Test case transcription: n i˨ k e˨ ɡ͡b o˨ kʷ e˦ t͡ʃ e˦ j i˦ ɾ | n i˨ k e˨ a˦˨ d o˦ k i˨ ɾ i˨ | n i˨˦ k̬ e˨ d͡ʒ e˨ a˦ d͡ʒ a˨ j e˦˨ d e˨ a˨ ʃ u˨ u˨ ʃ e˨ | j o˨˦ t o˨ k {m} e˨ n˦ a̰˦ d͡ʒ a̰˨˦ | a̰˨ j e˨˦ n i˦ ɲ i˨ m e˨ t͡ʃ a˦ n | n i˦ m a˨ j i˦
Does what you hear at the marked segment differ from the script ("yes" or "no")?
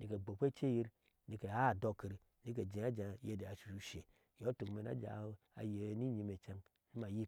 no